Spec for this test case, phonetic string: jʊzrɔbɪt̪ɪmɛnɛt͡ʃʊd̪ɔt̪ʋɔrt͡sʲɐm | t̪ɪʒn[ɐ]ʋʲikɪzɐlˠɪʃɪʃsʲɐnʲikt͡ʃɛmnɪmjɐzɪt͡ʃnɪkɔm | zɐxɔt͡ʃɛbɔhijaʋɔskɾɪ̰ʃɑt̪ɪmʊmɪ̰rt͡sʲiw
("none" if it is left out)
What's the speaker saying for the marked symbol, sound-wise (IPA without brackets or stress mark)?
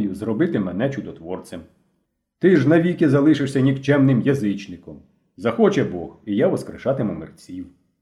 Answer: ɐ